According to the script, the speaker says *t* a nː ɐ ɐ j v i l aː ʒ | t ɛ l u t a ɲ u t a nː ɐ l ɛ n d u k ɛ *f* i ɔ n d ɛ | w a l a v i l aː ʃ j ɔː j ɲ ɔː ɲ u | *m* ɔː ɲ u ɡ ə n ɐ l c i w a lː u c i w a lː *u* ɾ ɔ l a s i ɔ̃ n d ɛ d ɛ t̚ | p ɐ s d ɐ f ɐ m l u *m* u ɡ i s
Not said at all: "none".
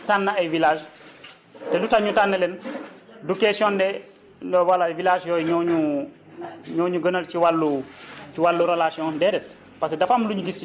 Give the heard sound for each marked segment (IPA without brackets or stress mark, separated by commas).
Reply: t, s, ɲ, u, ɲ